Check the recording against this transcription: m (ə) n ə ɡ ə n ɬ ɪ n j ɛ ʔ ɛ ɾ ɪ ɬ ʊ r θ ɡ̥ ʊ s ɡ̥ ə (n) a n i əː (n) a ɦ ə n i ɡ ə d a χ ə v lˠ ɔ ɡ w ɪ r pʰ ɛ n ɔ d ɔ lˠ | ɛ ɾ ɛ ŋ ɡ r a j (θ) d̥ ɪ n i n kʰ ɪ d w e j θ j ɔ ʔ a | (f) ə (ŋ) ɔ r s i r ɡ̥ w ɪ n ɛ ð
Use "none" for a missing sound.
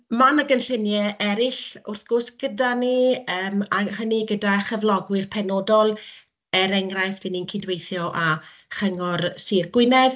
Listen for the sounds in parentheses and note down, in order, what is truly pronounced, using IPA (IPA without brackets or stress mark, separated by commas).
a, d, m, f, χ, ŋ